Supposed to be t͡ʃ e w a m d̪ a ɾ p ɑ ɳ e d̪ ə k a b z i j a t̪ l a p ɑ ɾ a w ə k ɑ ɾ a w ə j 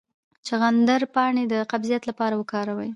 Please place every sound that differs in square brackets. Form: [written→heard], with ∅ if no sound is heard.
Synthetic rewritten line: t͡ʃ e [w→ɣ] a [m→n] d̪ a ɾ p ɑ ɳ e d̪ ə [k→q] a b z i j a t̪ l a p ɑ ɾ a w ə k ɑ ɾ a w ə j